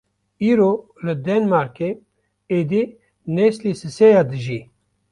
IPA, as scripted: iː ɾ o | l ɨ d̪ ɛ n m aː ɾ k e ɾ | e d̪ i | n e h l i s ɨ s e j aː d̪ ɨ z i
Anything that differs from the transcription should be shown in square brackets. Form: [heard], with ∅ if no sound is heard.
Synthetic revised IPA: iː ɾ o | l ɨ d̪ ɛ n m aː ɾ k e [∅] | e d̪ i | n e [s] l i s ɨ s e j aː d̪ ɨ [ʒ] i